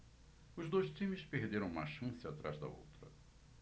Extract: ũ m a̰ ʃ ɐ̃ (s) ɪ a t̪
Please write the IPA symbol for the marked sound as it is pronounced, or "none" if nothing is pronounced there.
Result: s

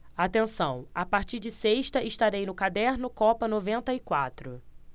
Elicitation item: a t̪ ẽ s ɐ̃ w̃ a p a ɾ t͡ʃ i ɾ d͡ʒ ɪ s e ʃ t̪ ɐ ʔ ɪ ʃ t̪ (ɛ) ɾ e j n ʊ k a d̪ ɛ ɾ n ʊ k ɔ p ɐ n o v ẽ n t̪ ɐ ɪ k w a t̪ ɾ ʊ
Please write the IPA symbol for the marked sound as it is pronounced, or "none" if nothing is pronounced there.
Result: a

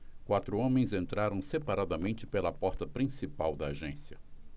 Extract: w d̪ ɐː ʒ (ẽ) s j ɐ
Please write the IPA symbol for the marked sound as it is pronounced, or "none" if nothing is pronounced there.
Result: ẽ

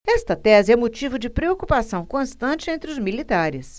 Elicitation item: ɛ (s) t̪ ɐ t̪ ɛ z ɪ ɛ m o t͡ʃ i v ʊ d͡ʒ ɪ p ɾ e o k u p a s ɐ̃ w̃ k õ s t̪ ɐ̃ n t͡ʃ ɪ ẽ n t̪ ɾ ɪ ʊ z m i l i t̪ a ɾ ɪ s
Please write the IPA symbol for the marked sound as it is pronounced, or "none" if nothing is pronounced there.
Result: s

